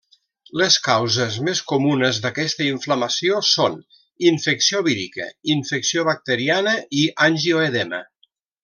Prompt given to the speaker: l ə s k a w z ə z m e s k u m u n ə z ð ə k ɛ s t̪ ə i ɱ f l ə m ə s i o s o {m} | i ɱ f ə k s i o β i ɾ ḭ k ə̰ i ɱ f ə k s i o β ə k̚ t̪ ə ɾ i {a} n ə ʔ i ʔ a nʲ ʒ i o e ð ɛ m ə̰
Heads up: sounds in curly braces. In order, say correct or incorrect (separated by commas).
incorrect, correct